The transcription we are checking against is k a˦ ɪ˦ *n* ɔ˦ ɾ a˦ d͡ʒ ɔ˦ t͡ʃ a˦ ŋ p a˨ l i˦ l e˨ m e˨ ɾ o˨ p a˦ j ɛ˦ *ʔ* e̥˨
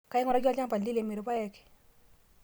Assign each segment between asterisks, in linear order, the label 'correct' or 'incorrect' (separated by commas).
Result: incorrect, incorrect